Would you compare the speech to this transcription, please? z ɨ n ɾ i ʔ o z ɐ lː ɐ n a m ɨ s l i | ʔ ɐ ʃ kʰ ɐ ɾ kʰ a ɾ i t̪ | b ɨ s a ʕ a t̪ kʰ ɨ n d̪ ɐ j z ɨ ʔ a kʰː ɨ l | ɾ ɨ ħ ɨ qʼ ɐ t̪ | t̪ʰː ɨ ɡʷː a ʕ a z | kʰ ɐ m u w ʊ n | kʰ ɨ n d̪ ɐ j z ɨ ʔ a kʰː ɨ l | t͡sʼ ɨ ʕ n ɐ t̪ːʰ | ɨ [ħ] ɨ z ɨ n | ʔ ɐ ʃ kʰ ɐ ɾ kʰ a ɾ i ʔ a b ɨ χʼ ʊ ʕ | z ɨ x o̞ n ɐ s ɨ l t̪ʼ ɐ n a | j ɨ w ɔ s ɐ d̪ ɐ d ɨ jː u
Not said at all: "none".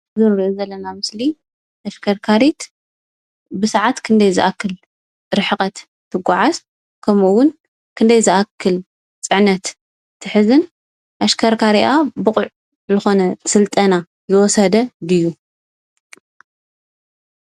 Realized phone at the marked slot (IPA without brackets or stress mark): ħ